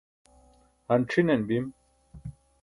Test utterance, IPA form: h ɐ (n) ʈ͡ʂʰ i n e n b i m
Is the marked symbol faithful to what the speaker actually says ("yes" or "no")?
yes